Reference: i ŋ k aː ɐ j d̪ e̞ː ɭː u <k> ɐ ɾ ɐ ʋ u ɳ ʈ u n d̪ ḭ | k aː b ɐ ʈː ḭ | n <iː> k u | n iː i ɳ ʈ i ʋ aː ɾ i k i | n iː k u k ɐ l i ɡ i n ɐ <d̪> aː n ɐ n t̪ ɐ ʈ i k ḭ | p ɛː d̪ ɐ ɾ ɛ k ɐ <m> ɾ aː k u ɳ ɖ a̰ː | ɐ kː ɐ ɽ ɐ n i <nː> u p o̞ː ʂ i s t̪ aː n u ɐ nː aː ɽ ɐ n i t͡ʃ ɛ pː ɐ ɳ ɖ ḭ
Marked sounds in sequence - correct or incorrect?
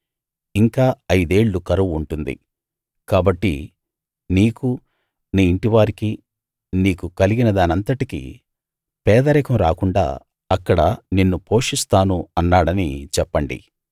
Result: correct, correct, correct, correct, correct

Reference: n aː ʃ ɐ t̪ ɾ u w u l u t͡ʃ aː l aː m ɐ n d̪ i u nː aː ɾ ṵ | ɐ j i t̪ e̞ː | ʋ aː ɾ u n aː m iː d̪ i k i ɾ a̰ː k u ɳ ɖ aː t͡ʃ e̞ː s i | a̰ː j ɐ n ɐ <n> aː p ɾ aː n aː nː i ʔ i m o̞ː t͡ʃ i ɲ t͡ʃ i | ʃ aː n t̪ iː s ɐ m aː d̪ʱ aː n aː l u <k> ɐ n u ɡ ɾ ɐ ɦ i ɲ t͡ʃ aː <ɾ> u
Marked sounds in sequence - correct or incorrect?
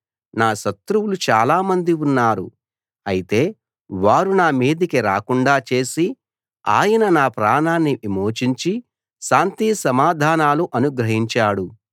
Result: correct, incorrect: ʔ, incorrect: ɽ

